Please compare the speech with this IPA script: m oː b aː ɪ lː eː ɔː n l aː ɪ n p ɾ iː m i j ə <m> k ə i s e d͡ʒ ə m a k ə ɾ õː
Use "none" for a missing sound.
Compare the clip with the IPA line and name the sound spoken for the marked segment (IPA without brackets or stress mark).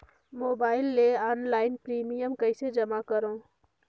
m